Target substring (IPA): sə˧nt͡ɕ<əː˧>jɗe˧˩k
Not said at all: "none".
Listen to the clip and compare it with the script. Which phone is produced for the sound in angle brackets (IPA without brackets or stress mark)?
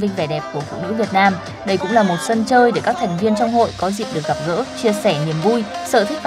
əː˧